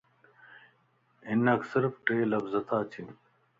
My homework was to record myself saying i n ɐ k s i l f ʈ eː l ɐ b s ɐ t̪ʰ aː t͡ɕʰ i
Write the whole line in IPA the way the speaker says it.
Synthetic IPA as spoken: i n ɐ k s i ɾ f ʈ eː l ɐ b z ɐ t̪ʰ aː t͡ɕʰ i